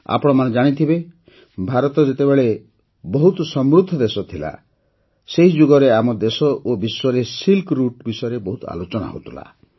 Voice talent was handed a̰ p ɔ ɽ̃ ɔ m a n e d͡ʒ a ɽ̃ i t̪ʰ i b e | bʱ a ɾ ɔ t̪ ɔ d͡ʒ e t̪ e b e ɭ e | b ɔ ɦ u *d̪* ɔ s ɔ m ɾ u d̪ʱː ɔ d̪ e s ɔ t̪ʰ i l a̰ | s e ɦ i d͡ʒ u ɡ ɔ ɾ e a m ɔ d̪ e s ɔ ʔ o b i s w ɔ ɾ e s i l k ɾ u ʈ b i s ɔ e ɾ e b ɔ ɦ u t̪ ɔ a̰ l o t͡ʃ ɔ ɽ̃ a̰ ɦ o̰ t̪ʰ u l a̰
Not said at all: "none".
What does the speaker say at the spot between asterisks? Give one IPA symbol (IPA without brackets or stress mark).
t̪